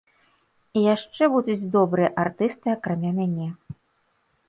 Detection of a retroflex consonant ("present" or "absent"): present